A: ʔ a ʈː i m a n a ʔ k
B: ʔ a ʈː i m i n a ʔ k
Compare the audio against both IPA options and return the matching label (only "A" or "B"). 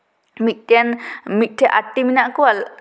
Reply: B